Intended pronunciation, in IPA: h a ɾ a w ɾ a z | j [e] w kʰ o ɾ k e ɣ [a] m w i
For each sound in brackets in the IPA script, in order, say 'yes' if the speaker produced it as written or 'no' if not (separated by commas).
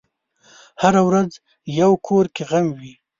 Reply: no, yes